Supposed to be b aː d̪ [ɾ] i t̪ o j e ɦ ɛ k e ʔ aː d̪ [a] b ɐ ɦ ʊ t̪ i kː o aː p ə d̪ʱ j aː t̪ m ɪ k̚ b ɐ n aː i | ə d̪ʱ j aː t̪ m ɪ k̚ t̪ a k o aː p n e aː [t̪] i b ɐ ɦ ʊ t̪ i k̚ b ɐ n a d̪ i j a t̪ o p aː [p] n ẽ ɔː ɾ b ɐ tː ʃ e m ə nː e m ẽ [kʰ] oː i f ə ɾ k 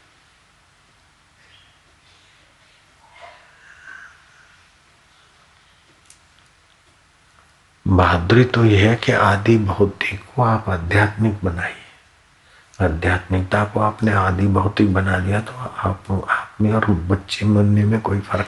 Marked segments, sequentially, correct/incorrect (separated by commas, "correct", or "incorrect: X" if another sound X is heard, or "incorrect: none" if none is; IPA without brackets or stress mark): correct, incorrect: i, incorrect: d̪, correct, incorrect: k